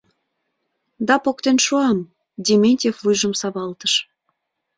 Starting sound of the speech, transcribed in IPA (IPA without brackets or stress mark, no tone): d̪